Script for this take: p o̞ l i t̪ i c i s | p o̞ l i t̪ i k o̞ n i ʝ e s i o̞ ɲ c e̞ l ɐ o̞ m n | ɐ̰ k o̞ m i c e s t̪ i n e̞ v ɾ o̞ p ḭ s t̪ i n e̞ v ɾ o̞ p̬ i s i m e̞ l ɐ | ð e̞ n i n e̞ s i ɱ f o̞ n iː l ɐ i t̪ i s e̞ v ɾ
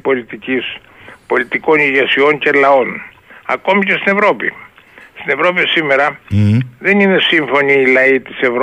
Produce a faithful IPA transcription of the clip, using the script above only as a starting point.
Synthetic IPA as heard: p o̞ l i t̪ i c i s | p o̞ l i t̪ i k o̞ n i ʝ e s i o̞ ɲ c e̞ l ɐ o̞ n | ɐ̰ k o̞ m i c e s t̪ i n e̞ v ɾ o̞ p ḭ s t̪ i n e̞ v ɾ o̞ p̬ i s i m e̞ ɾ ɐ | ð e̞ n i n e̞ s i ɱ f o̞ n iː l ɐ i t̪ i s e̞ v ɾ